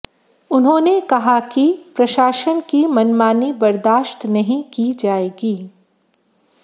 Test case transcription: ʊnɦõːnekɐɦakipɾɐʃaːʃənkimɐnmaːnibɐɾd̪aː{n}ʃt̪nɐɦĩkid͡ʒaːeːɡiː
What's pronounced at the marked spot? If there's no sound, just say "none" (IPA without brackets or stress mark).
none